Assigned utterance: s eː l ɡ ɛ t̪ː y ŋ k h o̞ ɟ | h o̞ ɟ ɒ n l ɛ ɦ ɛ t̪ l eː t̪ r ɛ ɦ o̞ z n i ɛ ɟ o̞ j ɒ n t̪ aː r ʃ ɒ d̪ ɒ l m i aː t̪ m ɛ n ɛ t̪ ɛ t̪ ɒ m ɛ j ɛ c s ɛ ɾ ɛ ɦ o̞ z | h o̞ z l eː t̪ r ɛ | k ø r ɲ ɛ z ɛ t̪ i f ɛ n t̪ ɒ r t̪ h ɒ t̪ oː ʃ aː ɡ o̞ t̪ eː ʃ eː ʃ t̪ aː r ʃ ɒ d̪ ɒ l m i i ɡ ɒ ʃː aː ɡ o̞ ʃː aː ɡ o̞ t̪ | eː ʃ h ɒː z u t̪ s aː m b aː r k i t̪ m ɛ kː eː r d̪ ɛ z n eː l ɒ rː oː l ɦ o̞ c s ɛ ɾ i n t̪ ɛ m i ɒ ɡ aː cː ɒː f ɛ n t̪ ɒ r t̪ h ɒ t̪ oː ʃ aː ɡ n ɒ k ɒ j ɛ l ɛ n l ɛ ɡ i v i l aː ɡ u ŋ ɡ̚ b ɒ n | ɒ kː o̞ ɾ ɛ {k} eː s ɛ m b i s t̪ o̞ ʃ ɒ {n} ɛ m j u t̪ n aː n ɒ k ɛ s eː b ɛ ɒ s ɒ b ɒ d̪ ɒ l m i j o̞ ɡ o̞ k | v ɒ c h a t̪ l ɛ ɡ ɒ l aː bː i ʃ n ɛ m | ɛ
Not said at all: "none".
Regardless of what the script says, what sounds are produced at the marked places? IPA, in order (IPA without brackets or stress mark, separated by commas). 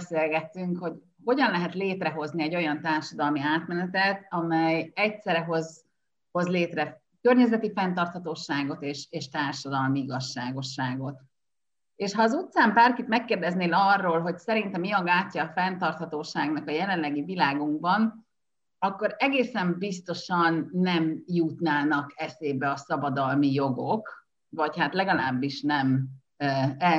ɡ, nː